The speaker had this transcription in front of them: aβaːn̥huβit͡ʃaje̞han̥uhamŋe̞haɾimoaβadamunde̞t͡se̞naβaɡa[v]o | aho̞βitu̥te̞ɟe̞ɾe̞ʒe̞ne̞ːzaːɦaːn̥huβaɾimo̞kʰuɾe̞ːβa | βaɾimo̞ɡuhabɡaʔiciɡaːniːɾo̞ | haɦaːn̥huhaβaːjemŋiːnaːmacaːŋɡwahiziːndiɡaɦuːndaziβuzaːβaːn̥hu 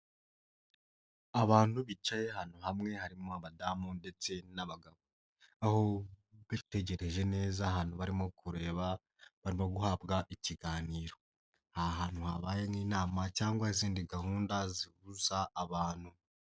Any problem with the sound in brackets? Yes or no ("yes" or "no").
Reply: yes